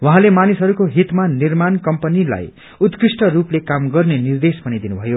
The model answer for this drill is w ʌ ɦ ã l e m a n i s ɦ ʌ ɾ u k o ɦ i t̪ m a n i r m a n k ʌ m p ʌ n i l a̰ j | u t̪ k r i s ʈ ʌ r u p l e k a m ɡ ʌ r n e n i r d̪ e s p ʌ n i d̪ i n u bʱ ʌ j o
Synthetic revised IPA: w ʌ ɦ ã l e m a n i s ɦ ʌ ɾ u k o ɦ i t̪ m a n i r m a n k ʌ m p ʌ n i l a̰ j | u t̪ k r i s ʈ ʌ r u p l e k a m ɡ ʌ r n e n i r d̪ e s p ʌ n i d̪ i n u bʱ ʌ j o

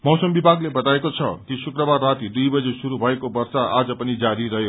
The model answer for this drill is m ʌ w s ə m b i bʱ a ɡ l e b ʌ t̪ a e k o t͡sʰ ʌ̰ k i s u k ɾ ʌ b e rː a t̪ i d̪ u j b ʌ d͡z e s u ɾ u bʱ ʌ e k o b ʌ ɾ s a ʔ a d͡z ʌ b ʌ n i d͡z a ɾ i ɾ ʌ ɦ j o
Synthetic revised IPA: m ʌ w s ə m b i bʱ a ɡ l e b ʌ t̪ a e k o t͡sʰ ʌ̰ k i s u k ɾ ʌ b a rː a t̪ i d̪ u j b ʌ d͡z e s u ɾ u bʱ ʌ e k o b ʌ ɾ s a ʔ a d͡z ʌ p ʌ n i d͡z a ɾ i ɾ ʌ ɦ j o

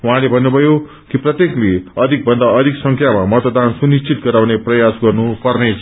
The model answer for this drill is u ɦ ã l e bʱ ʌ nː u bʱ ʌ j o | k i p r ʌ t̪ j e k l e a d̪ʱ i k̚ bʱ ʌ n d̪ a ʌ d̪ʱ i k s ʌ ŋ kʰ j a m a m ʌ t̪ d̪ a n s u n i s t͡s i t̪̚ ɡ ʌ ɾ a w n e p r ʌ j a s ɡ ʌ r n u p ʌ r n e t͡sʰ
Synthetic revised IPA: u ɦ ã l e bʱ ʌ nː u bʱ ʌ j o | k i p r ʌ t̪ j e k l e ʌ d̪ʱ i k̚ bʱ ʌ n d̪ a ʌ d̪ʱ i k s ʌ ŋ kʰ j a m a m ʌ t̪ d̪ a n s u n i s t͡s i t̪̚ ɡ ʌ ɾ a w n e p r ʌ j a s ɡ ʌ r n u p ʌ r n e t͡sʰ

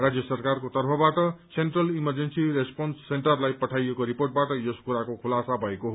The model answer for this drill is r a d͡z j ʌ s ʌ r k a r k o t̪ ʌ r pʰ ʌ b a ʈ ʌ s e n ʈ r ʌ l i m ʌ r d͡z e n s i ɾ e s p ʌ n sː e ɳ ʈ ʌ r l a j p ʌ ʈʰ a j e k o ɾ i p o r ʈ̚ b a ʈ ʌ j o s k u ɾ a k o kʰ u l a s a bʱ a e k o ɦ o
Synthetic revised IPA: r a d͡z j ʌ s ʌ r k a r k o t̪ ʌ r pʰ ʌ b a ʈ ʌ s e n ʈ r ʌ l i m ʌ r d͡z e n s i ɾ e s p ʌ n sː e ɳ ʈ ʌ r l a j p ʌ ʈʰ a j e k o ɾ i p o r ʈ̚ b a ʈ ʌ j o s k u ɾ a k o kʰ u l a s a bʱ ʌ e k o ɦ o

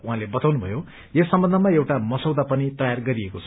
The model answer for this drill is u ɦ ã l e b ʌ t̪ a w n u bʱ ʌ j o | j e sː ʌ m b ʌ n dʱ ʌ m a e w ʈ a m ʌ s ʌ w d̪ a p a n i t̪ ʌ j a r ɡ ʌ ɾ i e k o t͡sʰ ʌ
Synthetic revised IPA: u ɦ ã l e b ʌ t̪ a w n u bʱ ʌ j o | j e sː ʌ m b ʌ n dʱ ʌ m a e w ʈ a m ʌ s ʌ w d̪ a p ʌ n i t̪ ʌ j a r ɡ ʌ ɾ i e k o t͡sʰ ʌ

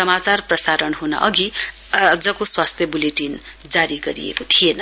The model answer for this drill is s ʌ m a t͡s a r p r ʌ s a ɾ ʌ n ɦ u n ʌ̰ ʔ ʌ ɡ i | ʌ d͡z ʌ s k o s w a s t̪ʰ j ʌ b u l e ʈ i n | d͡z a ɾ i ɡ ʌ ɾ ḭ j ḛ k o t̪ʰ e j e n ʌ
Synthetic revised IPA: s ʌ m a t͡s a r p r ʌ s a ɾ ʌ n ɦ u n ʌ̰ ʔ ʌ ɡ i | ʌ d͡z ʌ k o s w a s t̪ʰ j ʌ b u l e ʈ i n | d͡z a ɾ i ɡ ʌ ɾ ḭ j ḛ k o t̪ʰ i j e n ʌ

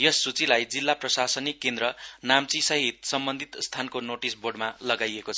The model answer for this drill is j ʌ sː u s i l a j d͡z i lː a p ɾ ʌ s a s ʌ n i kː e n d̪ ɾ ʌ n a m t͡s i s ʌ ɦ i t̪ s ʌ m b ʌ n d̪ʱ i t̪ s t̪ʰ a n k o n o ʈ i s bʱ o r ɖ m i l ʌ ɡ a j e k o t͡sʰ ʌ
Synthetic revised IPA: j ʌ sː u t͡s i l a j d͡z i lː a p r ʌ s a s ʌ n i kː e n d̪ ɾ ʌ n a m t͡s i s ʌ ɦ i t̪ s ʌ m b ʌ n d̪ʱ i t̪ s t̪ʰ a n k o n o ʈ i s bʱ o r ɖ m a l ʌ ɡ a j e k o t͡sʰ ʌ

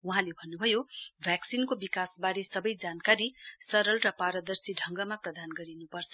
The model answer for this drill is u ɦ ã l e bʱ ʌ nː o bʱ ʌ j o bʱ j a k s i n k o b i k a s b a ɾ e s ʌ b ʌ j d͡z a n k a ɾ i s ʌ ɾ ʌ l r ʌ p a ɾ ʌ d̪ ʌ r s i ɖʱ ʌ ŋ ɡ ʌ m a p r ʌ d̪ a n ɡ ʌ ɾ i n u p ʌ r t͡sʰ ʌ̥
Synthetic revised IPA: u ɦ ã l e bʱ ʌ nː u bʱ ʌ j o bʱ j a k s i n k o b i k a s b a ɾ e s ʌ b ʌ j d͡z a n k a ɾ i s ʌ ɾ ʌ l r ʌ p a ɾ ʌ d̪ ʌ r s i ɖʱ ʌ ŋ ɡ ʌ m a p r ʌ d̪ a n ɡ ʌ ɾ i n u p ʌ r t͡sʰ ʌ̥

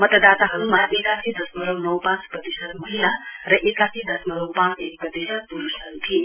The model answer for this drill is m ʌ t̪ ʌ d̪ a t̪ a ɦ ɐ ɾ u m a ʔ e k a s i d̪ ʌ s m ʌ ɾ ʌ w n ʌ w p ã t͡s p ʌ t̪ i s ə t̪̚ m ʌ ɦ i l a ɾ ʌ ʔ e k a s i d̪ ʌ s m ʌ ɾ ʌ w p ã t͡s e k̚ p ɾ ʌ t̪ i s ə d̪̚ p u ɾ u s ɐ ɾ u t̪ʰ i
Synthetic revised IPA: m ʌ t̪ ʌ d̪ a t̪ a ɦ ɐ ɾ u m a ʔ e k a s i d̪ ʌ s m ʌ ɾ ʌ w n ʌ w p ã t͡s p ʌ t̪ i s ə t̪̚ m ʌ ɦ i l a ɾ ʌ ʔ e k a s i d̪ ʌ s m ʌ ɾ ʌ w p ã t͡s e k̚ p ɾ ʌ t̪ i s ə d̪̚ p u ɾ u s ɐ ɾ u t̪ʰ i

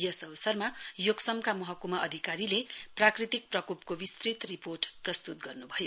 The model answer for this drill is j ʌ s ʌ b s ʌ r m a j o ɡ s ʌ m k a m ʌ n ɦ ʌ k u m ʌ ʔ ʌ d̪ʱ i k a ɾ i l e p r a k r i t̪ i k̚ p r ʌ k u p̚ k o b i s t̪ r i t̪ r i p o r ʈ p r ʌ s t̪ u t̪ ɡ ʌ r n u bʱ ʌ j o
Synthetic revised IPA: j ʌ s ʌ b s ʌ r m a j o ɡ s ʌ m k a m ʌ ɦ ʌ k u m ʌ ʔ ʌ d̪ʱ i k a ɾ i l e p r a k r i t̪ i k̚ p r ʌ k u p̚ k o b i s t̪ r i t̪ r i p o r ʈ p r ʌ s t̪ u t̪ ɡ ʌ r n u bʱ ʌ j o

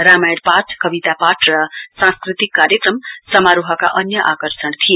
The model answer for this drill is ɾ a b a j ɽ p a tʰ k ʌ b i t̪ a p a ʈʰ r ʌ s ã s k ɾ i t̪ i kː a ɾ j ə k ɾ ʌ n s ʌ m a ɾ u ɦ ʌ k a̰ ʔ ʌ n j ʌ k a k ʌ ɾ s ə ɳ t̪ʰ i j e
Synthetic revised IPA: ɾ a m a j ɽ p a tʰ k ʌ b i t̪ a p a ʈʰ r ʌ s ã s k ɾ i t̪ i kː a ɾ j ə k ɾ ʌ m s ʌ m a ɾ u ɦ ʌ k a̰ ʔ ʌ n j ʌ ʔ a k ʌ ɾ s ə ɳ t̪ʰ i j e

